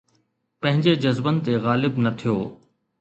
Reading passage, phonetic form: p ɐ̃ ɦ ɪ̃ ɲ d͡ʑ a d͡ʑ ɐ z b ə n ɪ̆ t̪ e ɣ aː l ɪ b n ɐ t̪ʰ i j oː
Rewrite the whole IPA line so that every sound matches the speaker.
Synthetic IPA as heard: p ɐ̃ ɦ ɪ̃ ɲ d͡ʑ e d͡ʑ ɐ z b ə n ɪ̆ t̪ e ɣ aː l ɪ b n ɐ t̪ʰ i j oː